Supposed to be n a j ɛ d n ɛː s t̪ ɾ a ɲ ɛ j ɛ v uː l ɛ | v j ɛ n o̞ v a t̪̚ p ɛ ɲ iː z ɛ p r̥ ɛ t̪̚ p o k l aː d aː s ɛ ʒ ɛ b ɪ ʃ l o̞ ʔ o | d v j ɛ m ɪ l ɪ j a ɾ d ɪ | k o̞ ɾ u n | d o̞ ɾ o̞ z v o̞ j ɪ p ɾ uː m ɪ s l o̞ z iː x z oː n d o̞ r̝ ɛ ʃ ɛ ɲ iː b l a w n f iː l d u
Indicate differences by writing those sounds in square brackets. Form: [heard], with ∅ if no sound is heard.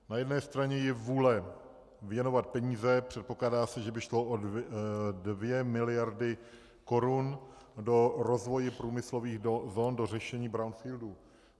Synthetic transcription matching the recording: n a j ɛ d n ɛː s t̪ ɾ a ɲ ɛ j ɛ v uː l ɛ | v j ɛ n o̞ v a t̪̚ p ɛ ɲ iː z ɛ p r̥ ɛ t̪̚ p o k l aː d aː s ɛ ʒ ɛ b ɪ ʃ l o̞ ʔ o | d v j ɛ m ɪ l ɪ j a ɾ d ɪ | k o̞ ɾ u n | d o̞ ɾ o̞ z v o̞ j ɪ p ɾ uː m ɪ s l o̞ [v] iː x z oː n d o̞ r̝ ɛ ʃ ɛ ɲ iː b [ɾ] a w n f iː l d u